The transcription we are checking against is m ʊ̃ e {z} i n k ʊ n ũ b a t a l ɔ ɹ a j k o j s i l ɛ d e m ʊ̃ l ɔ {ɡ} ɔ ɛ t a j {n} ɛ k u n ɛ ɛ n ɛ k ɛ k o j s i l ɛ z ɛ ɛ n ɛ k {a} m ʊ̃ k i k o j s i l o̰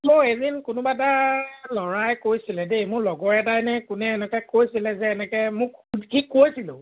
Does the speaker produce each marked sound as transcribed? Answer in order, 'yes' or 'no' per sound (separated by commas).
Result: yes, yes, yes, no